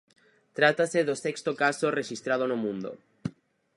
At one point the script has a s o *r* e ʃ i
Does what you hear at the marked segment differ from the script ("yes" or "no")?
no